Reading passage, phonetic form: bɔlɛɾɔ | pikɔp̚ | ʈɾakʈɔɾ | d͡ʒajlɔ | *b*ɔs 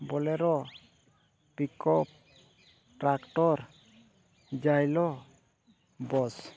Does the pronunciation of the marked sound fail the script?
no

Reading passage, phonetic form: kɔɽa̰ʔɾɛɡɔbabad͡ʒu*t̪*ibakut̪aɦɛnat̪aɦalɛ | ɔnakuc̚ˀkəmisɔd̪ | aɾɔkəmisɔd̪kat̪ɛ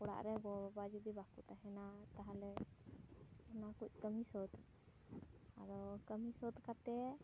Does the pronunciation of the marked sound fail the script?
yes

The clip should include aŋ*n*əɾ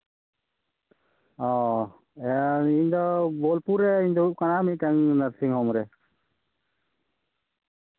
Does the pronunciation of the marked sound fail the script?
no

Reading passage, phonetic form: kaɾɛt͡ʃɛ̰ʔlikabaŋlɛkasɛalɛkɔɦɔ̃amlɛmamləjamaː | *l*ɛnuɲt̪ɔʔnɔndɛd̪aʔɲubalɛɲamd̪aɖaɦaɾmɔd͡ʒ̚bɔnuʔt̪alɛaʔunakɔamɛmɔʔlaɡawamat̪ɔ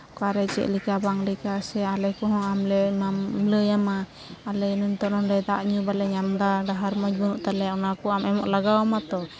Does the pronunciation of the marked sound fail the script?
no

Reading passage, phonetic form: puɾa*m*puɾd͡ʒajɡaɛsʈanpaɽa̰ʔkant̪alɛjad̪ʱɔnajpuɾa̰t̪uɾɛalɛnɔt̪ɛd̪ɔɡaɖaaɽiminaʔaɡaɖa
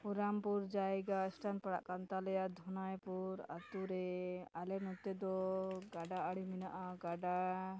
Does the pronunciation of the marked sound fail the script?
no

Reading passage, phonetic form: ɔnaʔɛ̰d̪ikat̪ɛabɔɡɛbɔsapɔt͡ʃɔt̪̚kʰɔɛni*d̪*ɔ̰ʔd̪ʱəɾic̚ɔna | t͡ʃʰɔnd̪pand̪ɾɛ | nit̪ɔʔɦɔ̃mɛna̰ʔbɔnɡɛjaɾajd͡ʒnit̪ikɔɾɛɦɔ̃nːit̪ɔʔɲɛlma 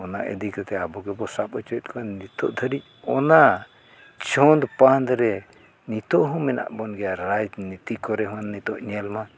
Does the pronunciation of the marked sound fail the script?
yes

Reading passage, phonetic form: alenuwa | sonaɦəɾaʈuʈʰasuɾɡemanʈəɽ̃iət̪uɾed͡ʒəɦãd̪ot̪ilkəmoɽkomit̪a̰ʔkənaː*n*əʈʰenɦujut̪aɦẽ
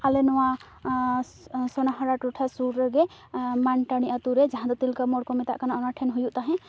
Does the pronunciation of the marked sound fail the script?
no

